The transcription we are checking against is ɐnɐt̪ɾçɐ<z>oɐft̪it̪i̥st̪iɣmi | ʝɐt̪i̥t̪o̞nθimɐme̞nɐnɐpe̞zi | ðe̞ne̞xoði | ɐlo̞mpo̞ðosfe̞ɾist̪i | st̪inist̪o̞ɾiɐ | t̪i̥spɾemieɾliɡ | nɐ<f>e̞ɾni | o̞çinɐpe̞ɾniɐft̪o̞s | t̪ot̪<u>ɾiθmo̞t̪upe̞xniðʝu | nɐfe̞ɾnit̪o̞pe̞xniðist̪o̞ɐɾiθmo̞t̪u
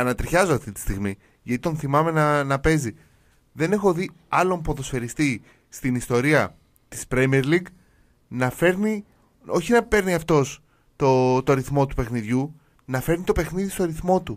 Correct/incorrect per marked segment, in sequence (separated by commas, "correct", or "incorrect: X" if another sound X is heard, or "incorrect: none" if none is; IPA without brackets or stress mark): correct, correct, incorrect: o